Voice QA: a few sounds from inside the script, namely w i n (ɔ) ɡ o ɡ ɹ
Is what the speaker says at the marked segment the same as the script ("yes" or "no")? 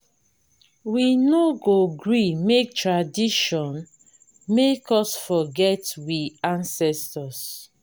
no